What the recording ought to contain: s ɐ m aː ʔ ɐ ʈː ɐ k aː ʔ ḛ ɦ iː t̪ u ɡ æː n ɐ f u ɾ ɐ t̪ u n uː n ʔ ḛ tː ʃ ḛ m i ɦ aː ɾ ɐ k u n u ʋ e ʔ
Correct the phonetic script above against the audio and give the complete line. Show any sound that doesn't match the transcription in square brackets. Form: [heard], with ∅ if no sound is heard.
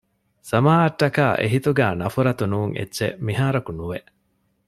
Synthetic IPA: s ɐ m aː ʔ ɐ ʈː ɐ k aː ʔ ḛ ɦ [i] t̪ u ɡ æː n ɐ f u ɾ ɐ t̪ u n uː [ŋ] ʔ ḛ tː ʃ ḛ m i ɦ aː ɾ ɐ k u n u ʋ e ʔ